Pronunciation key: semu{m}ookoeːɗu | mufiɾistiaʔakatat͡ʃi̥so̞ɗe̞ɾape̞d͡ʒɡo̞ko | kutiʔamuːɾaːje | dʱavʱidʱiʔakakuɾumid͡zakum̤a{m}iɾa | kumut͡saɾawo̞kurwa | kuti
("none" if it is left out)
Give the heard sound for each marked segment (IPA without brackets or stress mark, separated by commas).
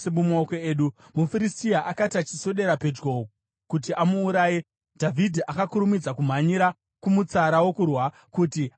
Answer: m, ɲ